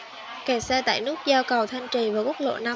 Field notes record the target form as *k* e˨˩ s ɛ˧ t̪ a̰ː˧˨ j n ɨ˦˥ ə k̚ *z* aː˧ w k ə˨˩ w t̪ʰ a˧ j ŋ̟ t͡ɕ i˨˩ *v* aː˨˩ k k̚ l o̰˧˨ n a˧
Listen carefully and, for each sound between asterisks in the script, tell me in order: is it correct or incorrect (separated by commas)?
correct, correct, correct